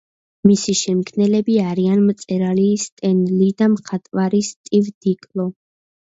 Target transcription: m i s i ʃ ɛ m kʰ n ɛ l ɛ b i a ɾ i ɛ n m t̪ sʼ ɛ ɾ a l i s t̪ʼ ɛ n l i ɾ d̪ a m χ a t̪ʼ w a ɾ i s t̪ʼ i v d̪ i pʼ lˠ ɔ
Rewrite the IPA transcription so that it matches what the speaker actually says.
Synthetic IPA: m i s i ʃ ɛ m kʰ n ɛ l ɛ b i a ɾ i a n m t̪ sʼ ɛ ɾ a l i s t̪ʼ ɛ n l i d̪ a m χ a t̪ʼ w a ɾ i s t̪ʼ i v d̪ i kʼ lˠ ɔ